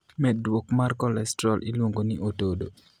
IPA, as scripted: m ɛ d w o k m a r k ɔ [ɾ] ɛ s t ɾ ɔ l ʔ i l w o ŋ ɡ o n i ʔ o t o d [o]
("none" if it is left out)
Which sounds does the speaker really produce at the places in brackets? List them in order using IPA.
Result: l, o

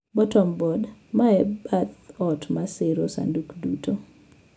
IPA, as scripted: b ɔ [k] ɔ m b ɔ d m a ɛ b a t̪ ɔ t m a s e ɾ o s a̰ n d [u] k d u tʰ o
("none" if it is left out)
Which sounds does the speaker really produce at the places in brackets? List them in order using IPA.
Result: t, u

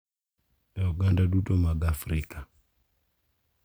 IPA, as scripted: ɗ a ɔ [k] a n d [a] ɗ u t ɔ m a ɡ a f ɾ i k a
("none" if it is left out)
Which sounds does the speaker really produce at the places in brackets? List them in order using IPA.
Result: ɡ, a

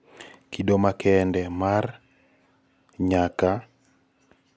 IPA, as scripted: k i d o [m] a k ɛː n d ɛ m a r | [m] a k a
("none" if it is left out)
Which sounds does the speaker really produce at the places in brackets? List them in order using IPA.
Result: m, ɲ

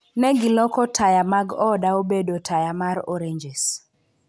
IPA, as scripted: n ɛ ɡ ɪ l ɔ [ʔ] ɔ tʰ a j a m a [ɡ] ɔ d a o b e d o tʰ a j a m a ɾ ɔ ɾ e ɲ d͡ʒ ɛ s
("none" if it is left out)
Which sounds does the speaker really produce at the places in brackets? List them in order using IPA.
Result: k, ɡ

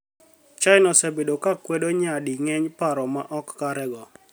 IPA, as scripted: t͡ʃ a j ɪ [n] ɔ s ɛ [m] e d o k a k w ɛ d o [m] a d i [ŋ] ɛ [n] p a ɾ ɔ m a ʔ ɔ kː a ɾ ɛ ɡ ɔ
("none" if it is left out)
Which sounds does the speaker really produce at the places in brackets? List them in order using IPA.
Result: n, b, ɲ, ŋ, ɲ

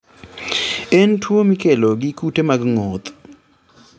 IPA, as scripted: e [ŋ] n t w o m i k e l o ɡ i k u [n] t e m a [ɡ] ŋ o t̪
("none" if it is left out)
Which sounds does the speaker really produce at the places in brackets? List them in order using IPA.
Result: none, none, ɡ

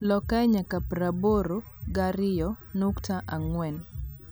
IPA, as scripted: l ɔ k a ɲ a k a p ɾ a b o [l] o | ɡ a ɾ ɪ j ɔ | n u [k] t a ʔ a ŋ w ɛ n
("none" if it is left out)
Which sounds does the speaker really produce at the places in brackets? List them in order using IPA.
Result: ɾ, k

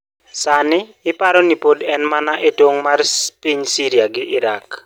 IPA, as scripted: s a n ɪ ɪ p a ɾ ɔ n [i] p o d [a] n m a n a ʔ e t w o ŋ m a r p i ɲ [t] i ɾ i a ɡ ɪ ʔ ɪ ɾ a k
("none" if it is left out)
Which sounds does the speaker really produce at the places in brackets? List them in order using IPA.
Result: i, ɛ, s

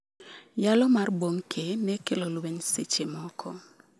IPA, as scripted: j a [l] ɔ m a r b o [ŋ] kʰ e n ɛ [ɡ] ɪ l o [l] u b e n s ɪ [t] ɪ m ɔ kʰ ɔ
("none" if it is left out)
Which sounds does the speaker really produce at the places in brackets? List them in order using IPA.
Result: l, ŋ, k, l, t͡ʃ

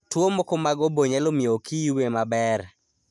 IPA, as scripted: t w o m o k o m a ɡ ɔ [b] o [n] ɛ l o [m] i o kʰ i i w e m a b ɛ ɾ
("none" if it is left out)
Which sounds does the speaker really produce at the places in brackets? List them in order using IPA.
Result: b, ɲ, m

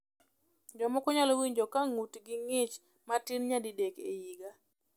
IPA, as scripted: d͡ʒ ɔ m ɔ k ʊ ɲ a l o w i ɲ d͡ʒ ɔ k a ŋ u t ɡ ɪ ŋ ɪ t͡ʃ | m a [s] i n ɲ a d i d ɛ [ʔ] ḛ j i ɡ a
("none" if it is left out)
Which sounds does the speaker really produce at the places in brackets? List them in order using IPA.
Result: t, k

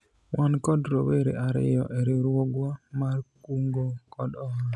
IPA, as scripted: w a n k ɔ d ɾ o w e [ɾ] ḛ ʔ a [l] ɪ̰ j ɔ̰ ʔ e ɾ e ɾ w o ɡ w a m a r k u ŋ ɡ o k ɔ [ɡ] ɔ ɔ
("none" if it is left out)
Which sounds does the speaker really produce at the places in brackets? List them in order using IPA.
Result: ɾ, ɾ, d

